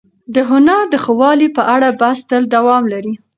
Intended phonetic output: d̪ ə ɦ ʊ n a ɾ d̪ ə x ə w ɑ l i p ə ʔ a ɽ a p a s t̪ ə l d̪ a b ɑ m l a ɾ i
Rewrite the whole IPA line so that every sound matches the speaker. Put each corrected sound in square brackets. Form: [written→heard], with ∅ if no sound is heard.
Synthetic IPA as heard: d̪ ə ɦ ʊ n a ɾ d̪ ə x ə w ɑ l i p ə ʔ a ɽ a [p→b] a s t̪ ə l d̪ a [b→w] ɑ m l a ɾ i